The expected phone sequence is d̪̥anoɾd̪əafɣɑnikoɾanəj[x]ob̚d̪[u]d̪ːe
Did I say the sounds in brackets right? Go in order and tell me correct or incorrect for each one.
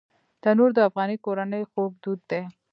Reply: correct, correct

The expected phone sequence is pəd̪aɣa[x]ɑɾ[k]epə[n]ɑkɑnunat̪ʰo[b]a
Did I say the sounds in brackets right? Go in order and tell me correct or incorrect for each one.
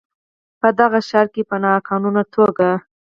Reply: incorrect, correct, correct, incorrect

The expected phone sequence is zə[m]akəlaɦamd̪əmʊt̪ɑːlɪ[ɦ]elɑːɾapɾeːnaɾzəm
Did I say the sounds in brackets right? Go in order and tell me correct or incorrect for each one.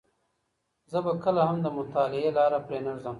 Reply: incorrect, incorrect

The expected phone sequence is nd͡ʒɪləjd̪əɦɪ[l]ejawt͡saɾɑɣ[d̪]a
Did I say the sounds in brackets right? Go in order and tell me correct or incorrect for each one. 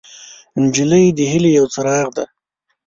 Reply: correct, correct

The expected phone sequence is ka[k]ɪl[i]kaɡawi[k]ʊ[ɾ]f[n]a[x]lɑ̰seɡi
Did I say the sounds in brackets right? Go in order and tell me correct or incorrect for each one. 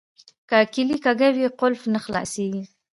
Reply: correct, correct, incorrect, incorrect, correct, correct

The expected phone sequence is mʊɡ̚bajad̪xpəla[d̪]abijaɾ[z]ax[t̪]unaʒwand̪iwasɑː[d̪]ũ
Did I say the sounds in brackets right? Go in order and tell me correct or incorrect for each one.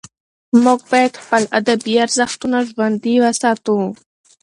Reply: correct, correct, correct, incorrect

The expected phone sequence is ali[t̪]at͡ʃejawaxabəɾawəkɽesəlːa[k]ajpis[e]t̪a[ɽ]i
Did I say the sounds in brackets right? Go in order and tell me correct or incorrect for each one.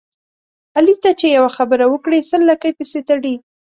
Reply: correct, correct, correct, correct

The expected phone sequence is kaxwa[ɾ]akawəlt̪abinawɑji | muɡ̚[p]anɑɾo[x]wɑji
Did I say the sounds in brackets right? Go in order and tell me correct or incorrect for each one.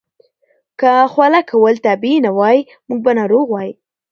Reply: incorrect, incorrect, incorrect

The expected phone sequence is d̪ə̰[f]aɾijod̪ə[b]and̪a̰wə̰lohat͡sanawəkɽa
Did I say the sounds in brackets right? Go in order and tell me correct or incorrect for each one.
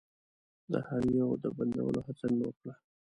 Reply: incorrect, correct

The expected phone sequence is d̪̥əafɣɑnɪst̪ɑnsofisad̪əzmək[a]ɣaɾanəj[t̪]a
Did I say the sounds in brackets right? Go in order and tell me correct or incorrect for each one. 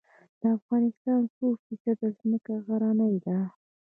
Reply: correct, incorrect

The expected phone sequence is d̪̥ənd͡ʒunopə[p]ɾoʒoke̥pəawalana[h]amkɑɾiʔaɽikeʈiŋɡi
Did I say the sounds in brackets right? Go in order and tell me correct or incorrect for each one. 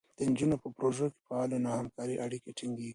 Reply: correct, correct

